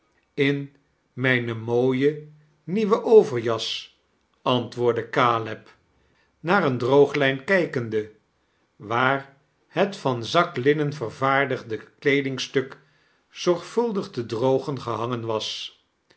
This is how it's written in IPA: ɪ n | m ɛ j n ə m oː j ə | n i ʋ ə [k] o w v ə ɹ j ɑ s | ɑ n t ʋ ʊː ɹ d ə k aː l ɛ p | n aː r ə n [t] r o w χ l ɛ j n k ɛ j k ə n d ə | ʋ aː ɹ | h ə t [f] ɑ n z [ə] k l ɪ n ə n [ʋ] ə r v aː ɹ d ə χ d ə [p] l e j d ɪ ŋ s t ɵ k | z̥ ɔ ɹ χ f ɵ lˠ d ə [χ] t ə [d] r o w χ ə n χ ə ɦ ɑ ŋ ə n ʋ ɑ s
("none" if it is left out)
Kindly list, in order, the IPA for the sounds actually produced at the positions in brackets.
ʔ, d, f, ɑ, v, k, χ, d

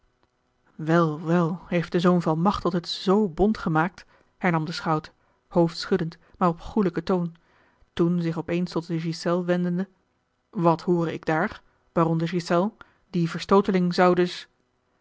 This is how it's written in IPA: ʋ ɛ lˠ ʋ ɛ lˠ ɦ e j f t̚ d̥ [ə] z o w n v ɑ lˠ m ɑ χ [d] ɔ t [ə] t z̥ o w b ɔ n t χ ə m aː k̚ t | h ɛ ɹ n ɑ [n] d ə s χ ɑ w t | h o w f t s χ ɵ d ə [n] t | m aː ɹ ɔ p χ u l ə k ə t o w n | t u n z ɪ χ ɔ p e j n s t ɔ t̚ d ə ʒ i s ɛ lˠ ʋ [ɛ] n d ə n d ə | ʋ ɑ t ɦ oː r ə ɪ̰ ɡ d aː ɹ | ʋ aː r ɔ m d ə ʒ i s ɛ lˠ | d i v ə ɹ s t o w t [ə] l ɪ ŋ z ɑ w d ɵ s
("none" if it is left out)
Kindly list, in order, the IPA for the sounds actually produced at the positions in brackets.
ə, t, ə, m, n, ɛ, ə

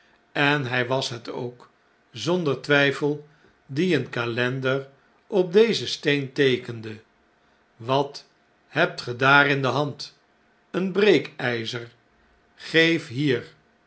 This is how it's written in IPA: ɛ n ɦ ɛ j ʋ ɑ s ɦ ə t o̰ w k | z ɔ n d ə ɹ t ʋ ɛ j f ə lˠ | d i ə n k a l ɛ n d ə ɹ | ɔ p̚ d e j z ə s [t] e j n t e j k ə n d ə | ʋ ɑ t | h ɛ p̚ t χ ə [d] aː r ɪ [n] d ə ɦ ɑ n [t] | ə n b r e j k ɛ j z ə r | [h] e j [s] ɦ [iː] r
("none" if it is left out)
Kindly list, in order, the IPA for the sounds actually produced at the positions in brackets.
t, d, n, t, χ, f, iː

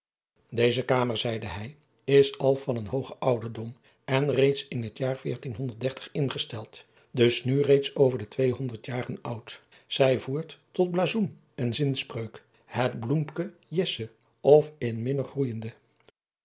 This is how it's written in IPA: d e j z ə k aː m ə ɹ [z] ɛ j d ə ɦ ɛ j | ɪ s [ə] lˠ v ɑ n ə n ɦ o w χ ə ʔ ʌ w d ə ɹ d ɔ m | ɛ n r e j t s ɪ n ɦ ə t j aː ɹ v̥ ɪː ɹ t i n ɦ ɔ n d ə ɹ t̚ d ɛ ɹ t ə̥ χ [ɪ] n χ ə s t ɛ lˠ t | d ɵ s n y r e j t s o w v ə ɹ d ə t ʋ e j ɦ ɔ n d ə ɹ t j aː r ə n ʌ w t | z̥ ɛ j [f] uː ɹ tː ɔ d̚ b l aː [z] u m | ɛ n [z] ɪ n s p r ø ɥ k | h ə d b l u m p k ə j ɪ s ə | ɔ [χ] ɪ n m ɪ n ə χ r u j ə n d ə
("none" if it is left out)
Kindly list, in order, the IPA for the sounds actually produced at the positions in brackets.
z, ɑ, ɪ, v, z, z, f

